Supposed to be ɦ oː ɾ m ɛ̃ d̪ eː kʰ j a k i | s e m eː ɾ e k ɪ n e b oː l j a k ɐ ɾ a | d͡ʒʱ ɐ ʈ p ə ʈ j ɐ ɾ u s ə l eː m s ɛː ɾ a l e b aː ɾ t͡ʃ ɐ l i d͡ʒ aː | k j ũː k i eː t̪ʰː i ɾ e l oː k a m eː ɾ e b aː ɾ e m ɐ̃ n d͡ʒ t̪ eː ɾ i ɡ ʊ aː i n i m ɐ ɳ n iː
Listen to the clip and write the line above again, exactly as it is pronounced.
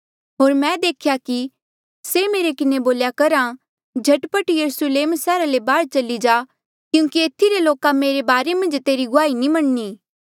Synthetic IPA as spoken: ɦ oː ɾ m ɛ̃ d̪ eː kʰ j a k i | s e m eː ɾ e k ɪ n e b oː l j a k ɐ ɾ a | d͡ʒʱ ɐ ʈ p ə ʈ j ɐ ɾ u s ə l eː m s ɛː ɾ a l e b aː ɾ t͡ʃ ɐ l i d͡ʒ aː | k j ũː k i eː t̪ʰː i ɾ e l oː k a m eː ɾ e b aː ɾ e m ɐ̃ n d͡ʒ t̪ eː ɾ i ɡ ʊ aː i n i m ɐ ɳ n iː

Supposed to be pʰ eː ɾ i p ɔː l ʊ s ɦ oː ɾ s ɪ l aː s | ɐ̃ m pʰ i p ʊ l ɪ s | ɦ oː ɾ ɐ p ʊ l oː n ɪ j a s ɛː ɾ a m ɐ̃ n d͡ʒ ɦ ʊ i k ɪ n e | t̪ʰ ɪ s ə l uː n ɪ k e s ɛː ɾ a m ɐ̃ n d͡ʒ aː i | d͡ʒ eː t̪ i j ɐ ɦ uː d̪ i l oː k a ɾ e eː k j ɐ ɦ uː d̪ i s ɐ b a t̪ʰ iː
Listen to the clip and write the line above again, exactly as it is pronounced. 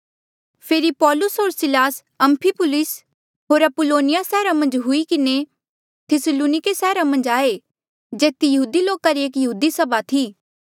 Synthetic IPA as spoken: pʰ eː ɾ i p ɔː l ʊ s ɦ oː ɾ s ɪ l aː s | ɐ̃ m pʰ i p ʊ l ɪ s | ɦ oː ɾ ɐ p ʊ l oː n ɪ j a s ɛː ɾ a m ɐ̃ n d͡ʒ ɦ ʊ i k ɪ n e | t̪ʰ ɪ s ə l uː n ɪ k e s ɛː ɾ a m ɐ̃ n d͡ʒ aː e | d͡ʒ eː t̪ i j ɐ ɦ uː d̪ i l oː k a ɾ i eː k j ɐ ɦ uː d̪ i s ɐ b a t̪ʰ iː

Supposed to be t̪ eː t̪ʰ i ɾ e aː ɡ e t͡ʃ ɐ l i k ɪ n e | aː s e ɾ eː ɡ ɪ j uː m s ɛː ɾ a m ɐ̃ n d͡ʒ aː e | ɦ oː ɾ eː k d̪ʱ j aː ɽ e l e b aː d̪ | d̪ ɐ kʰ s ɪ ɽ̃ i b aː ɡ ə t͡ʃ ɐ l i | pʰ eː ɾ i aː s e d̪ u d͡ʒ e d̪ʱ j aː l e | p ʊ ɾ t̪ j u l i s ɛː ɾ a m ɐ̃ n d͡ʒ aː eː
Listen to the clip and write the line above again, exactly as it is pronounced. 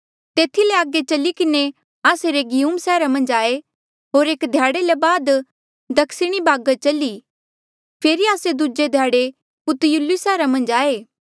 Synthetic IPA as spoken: t̪ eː t̪ʰ i l e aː ɡ e t͡ʃ ɐ l i k ɪ n e | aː s e ɾ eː ɡ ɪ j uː m s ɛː ɾ a m ɐ̃ n d͡ʒ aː e | ɦ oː ɾ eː k d̪ʱ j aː ɽ e l e b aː d̪ | d̪ ɐ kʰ s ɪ ɽ̃ i b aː ɡ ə t͡ʃ ɐ l i | pʰ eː ɾ i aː s e d̪ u d͡ʒ e d̪ʱ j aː ɽ e | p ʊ t̪ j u l i s ɛː ɾ a m ɐ̃ n d͡ʒ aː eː

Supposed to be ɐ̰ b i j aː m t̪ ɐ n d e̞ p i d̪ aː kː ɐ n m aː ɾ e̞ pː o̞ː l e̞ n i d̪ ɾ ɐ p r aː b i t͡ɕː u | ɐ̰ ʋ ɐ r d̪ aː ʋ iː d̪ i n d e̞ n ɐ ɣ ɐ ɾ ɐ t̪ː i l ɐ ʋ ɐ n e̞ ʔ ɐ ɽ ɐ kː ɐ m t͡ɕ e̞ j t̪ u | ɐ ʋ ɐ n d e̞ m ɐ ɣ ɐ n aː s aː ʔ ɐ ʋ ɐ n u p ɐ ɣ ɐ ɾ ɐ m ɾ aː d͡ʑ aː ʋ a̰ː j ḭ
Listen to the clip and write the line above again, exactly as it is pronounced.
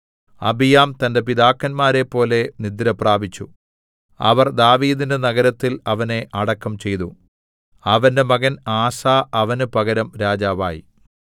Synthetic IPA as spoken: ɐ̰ b i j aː m t̪ ɐ n d e̞ p i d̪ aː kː ɐ n m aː ɾ e̞ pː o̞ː l e̞ n i d̪ ɾ ɐ p r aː b i t͡ɕː u | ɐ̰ ʋ ɐ r d̪ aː ʋ iː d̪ i n d e̞ n ɐ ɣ ɐ ɾ ɐ t̪ː i l ɐ ʋ ɐ n e̞ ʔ ɐ ɽ ɐ kː ɐ m t͡ɕ e̞ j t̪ u | ɐ ʋ ɐ n d e̞ m ɐ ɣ ɐ n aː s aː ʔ ɐ ʋ ɐ n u p ɐ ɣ ɐ ɾ ɐ m ɾ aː d͡ʑ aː ʋ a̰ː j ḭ

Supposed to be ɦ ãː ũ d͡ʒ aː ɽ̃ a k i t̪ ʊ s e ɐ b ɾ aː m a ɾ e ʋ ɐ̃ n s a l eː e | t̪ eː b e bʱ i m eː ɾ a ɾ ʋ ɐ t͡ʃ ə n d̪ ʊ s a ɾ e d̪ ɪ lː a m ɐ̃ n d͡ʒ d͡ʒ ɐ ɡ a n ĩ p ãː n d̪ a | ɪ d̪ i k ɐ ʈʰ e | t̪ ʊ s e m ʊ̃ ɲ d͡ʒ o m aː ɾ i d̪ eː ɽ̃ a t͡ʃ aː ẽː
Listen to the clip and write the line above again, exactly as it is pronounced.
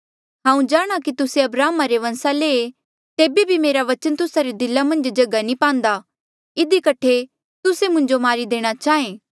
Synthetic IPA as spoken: ɦ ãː ũ d͡ʒ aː ɽ̃ a k i t̪ ʊ s e ɐ b ɾ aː m a ɾ e ʋ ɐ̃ n s a l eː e | t̪ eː b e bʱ i m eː ɾ a ʋ ɐ t͡ʃ ə n t̪ ʊ s a ɾ e d̪ ɪ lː a m ɐ̃ n d͡ʒ d͡ʒ ɐ ɡ a n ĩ p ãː n d̪ a | ɪ d̪ i k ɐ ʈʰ e | t̪ ʊ s e m ʊ̃ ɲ d͡ʒ o m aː ɾ i d̪ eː ɽ̃ a t͡ʃ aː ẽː

